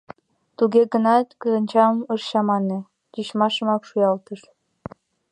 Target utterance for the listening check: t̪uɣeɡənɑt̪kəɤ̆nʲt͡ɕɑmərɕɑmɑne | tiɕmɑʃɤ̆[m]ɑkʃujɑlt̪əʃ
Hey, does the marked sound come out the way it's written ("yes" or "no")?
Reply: yes